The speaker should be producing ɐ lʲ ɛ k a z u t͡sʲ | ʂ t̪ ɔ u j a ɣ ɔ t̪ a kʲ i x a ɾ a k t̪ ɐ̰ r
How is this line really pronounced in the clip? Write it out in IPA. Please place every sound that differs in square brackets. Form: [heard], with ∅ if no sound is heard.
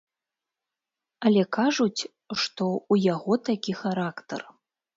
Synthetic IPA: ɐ lʲ ɛ k a [ʐ] u t͡sʲ | ʂ t̪ ɔ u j a ɣ ɔ t̪ a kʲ i x a ɾ a k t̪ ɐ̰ r